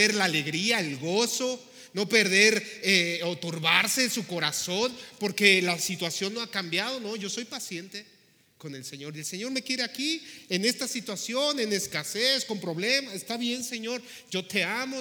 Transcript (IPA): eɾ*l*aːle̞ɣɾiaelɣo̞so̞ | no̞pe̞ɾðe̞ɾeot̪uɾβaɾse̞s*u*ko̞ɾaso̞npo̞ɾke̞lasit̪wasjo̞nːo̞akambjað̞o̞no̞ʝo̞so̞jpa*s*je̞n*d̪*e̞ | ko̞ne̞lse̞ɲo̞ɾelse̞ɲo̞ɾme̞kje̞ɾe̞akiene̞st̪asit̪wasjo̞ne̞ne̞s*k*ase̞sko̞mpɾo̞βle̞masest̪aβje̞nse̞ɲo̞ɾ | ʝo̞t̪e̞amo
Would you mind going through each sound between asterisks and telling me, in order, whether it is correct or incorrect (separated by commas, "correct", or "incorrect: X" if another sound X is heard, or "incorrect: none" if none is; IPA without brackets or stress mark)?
correct, correct, correct, incorrect: t̪, correct